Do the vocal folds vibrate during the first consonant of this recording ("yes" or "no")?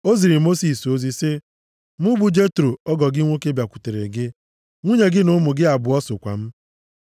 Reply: yes